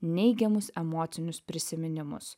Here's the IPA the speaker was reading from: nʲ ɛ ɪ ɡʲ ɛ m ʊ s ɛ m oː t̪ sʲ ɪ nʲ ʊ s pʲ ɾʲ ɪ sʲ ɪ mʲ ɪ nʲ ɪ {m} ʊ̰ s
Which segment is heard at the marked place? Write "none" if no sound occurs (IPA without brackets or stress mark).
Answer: m